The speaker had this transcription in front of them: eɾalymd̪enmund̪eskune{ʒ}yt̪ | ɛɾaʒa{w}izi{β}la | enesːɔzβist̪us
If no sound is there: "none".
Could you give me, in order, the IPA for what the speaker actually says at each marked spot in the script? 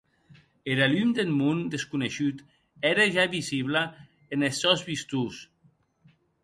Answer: ʃ, β, β

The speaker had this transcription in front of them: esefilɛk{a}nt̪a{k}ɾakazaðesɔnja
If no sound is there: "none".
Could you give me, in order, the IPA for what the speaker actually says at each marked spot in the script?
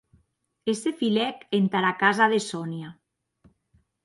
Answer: e, none

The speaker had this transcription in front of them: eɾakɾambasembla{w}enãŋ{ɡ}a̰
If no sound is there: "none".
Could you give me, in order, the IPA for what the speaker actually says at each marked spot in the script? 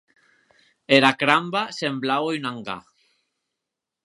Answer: w, ɡ

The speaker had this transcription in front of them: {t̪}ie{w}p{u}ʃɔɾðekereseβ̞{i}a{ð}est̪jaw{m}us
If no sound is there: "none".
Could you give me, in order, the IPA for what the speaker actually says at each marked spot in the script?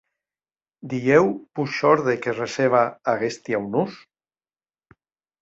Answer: d̪, w, u, a, ɣ, n

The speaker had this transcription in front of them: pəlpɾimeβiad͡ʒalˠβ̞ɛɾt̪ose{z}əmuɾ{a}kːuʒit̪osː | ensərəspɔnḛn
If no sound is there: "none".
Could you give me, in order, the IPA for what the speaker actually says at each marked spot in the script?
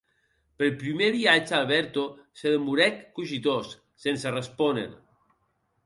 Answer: ð, ɛ

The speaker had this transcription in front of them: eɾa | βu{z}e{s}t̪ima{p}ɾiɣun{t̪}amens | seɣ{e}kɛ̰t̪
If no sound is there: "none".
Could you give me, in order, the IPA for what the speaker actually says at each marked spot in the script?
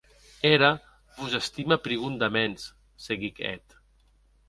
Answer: z, s, p, d̪, i

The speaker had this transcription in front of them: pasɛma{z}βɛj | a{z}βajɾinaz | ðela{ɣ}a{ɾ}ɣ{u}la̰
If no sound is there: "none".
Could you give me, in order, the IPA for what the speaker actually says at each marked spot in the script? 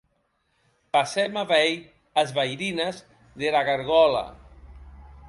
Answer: none, z, ɣ, ɾ, ɔ

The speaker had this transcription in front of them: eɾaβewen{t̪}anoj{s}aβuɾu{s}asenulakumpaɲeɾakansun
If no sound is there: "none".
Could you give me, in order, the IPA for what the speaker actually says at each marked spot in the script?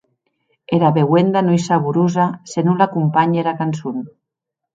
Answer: d̪, s, z

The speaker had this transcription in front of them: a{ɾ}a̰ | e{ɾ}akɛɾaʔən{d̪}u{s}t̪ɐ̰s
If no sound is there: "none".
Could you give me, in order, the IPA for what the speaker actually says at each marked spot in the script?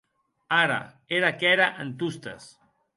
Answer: ɾ, ɾ, t̪, s

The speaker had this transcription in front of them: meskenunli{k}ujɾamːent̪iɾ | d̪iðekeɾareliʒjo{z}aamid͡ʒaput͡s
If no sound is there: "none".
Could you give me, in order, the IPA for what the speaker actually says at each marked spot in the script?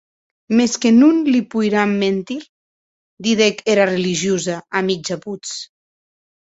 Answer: p, z

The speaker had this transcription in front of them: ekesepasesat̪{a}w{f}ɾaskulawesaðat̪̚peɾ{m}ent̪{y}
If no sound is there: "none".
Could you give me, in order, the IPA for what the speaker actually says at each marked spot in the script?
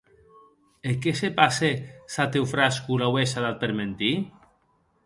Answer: e, f, m, i

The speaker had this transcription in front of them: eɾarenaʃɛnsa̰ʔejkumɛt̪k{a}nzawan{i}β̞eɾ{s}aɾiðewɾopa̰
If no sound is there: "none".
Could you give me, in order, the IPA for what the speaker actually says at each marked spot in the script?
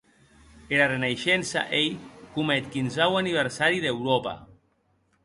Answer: i, i, s

